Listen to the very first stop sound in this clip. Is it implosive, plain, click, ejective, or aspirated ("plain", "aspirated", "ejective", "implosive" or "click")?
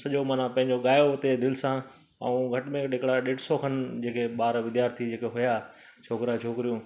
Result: implosive